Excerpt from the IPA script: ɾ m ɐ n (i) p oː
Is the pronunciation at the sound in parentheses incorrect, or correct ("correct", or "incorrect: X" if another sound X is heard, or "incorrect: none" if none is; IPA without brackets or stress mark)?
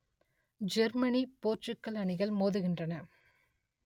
correct